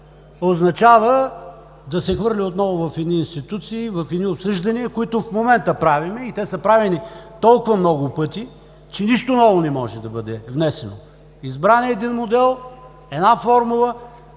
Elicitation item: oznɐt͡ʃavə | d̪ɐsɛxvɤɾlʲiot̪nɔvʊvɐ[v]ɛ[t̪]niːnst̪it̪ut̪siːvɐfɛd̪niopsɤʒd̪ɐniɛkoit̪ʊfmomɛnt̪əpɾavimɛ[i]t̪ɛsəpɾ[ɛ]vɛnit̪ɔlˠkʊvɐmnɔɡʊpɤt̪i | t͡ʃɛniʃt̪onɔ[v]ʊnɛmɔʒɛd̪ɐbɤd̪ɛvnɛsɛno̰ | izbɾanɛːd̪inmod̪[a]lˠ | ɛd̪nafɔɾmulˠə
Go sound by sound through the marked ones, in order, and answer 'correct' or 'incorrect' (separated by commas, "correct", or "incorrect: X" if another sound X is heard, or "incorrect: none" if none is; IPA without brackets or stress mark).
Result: incorrect: f, incorrect: d̪, correct, incorrect: a, correct, incorrect: ɛ